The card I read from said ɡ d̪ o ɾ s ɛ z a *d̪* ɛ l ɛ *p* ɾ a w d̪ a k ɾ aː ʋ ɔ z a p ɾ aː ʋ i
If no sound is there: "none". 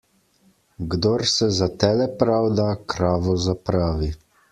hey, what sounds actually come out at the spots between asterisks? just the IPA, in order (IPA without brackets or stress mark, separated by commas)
t̪, p